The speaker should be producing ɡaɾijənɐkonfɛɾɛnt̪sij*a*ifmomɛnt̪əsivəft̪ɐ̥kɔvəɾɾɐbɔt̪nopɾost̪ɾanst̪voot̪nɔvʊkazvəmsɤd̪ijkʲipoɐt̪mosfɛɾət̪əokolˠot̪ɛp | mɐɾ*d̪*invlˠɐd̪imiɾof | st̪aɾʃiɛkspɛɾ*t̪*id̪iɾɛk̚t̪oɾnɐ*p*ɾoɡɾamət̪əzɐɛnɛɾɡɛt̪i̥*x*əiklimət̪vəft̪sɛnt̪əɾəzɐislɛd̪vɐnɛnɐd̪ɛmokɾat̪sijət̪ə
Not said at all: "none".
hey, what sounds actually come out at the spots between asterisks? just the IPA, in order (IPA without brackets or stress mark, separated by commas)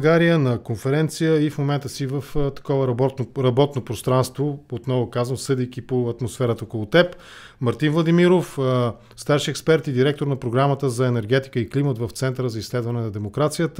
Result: ə, t̪, t̪, p, k